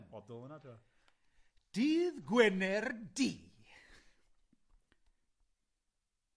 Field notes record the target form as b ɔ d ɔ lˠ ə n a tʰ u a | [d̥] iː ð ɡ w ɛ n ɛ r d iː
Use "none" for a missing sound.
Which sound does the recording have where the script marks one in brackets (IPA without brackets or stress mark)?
d̥